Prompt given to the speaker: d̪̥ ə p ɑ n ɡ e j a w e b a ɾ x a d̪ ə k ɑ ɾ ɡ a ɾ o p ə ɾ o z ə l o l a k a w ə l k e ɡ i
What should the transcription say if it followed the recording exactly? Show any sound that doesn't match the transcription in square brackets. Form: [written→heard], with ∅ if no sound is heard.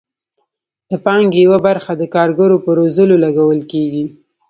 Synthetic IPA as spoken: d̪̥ ə p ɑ [n→ŋ] ɡ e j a w [e→a] b a ɾ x a d̪ ə k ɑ ɾ ɡ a ɾ o p ə ɾ o z ə l o l a [k→ɡ] a w ə l k e ɡ i